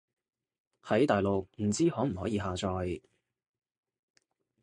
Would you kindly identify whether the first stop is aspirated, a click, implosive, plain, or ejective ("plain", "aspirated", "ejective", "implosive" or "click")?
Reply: plain